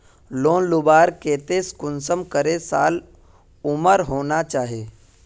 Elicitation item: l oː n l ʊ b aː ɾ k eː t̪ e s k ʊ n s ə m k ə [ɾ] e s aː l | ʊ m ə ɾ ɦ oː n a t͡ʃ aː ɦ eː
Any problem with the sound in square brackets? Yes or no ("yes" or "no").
no